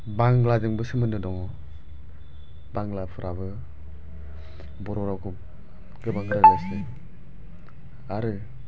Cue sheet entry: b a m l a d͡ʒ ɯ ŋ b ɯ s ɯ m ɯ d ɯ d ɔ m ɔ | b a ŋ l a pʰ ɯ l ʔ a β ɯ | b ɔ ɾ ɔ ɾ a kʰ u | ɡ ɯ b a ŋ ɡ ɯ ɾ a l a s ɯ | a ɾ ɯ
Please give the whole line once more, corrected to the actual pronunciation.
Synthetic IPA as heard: b a ŋ l a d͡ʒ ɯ ŋ b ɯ s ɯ m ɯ n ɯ d ɔ ŋ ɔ | b a ŋ l a pʰ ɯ ɾ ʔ a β ɯ | b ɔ ɾ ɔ ɾ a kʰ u | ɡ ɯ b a ŋ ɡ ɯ ɾ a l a s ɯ | a ɾ ɯ